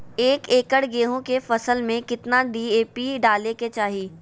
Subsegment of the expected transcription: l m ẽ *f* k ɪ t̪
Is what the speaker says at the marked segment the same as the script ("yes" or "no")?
no